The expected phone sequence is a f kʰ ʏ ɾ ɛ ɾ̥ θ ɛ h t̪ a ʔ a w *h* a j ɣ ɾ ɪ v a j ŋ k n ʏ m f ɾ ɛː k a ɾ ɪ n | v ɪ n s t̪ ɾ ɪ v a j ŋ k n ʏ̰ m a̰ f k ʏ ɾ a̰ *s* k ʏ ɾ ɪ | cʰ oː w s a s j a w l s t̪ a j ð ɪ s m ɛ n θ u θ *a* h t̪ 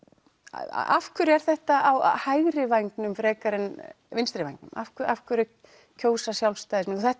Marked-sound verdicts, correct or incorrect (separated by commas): correct, incorrect, incorrect